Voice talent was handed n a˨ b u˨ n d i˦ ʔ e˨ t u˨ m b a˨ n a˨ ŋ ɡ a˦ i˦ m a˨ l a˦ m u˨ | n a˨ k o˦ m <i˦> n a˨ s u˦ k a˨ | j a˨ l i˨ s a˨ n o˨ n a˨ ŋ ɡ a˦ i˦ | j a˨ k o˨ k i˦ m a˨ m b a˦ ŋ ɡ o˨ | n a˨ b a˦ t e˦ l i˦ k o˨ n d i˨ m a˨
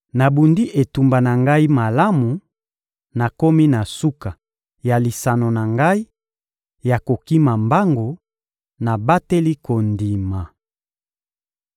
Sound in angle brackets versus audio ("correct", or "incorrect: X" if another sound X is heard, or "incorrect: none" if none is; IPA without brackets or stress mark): correct